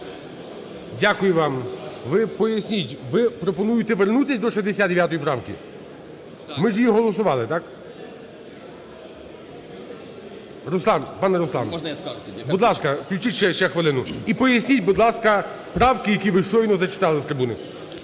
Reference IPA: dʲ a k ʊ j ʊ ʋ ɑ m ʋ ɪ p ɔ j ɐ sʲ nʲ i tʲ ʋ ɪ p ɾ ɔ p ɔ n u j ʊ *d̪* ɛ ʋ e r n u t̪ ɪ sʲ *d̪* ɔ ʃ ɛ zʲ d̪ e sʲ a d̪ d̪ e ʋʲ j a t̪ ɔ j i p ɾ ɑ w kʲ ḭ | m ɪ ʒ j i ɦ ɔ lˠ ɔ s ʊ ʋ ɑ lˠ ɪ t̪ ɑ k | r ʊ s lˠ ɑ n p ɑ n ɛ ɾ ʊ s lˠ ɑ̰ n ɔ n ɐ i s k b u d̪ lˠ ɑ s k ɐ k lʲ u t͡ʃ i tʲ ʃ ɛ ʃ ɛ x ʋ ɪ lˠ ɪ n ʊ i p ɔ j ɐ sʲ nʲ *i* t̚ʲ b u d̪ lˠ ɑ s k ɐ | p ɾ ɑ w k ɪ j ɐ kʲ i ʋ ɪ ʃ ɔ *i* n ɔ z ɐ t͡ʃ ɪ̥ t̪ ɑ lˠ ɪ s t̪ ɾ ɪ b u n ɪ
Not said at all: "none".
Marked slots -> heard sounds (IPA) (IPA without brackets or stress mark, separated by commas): t̪, d̪, i, j